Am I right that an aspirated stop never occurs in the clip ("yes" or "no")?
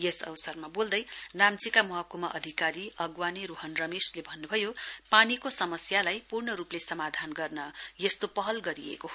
yes